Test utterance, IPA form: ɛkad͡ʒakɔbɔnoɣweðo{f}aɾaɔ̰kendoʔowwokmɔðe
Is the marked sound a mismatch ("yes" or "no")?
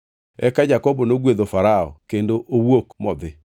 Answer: no